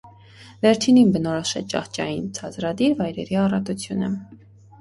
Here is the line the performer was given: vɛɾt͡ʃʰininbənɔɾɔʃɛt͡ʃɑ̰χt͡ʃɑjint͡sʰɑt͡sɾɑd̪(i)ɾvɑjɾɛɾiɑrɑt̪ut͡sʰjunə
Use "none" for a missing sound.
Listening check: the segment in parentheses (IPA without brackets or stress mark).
i